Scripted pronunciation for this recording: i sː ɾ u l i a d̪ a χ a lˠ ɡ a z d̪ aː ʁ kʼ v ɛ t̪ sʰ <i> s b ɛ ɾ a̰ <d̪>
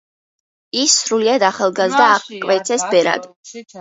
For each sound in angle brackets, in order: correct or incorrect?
incorrect, correct

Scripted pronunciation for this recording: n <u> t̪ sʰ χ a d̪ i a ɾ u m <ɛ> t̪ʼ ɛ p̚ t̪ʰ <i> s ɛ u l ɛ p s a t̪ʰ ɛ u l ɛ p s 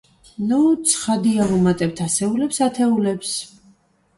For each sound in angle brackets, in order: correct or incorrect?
correct, incorrect, incorrect

